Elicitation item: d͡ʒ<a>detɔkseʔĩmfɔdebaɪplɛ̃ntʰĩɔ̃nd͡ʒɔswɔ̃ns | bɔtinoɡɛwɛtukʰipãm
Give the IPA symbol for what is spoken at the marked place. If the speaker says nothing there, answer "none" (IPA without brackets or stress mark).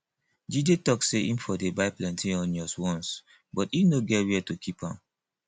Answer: i